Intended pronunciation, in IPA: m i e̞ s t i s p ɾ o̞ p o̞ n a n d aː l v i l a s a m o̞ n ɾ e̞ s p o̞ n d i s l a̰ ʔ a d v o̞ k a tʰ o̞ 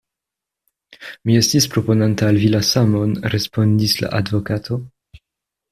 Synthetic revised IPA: m i e̞ s t i s p ɾ o̞ p o̞ n a n t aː l v i l a s a m o̞ n ɾ e̞ s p o̞ n d i s l a̰ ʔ a d v o̞ k a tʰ o̞